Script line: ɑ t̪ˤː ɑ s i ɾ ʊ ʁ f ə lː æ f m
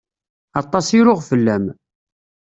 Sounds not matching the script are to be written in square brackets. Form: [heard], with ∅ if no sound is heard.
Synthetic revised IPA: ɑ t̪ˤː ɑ s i ɾ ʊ ʁ f ə lː æ [∅] m